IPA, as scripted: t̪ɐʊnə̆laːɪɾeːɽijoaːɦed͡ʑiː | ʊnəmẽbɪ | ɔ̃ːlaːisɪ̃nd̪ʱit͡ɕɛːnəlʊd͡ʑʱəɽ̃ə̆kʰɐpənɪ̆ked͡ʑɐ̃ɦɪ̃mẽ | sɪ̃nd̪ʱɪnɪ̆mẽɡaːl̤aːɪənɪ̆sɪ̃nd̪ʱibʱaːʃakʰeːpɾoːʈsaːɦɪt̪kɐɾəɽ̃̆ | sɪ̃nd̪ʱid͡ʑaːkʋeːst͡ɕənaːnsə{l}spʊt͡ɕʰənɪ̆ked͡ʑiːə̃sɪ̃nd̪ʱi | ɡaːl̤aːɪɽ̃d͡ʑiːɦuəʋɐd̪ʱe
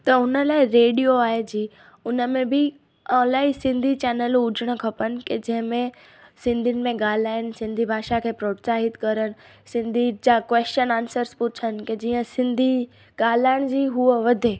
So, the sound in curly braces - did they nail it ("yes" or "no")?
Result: no